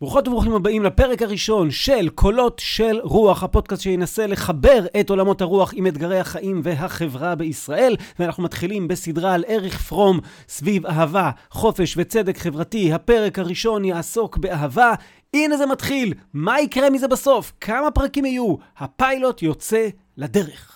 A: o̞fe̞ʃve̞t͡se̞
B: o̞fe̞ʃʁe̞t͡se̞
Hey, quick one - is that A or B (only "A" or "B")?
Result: A